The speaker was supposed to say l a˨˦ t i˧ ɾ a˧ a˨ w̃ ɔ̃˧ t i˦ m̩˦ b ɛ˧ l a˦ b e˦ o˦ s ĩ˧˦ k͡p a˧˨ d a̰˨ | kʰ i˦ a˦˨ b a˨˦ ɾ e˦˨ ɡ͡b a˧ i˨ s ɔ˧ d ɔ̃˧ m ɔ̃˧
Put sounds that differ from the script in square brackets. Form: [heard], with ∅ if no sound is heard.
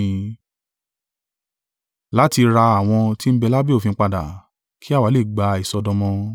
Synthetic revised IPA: l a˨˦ t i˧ ɾ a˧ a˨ w̃ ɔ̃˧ t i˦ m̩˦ b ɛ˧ l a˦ b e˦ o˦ [f] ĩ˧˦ k͡p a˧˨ d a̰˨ | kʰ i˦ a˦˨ [w] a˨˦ [l] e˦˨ ɡ͡b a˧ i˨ s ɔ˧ d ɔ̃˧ m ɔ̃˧